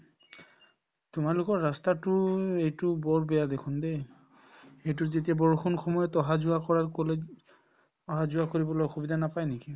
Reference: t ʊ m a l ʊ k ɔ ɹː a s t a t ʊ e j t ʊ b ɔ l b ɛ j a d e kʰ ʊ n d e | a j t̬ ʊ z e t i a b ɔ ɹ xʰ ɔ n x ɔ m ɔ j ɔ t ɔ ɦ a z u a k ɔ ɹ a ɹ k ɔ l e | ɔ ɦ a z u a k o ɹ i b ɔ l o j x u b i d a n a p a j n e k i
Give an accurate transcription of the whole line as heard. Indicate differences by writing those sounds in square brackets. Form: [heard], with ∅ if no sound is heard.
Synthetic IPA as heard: t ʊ m a l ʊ k ɔ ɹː a s t a t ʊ e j t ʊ b ɔ [ɹ] b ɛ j a d e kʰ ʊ n d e | [e] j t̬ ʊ z e t i a b ɔ ɹ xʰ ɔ n x ɔ m ɔ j ɔ t ɔ ɦ a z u a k ɔ ɹ a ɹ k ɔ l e | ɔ ɦ a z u a k o ɹ i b ɔ l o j x u b i d a n a p a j n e k i